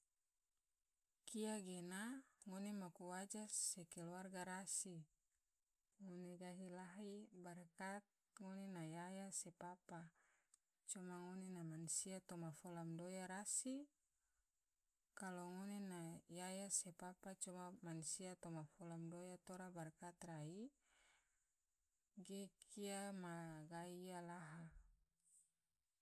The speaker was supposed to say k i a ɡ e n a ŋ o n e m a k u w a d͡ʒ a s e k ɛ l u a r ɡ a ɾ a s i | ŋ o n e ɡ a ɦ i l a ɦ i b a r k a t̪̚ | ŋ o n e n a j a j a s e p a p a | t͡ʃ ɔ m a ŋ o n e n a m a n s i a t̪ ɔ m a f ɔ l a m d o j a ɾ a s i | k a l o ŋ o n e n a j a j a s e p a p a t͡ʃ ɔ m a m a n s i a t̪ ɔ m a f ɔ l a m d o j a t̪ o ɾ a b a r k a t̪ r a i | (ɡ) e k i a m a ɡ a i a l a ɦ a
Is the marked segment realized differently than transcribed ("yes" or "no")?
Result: no